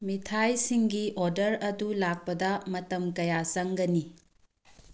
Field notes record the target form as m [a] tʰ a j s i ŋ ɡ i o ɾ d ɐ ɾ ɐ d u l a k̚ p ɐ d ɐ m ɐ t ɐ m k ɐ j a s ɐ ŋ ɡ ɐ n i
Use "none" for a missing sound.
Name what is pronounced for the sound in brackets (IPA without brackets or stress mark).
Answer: i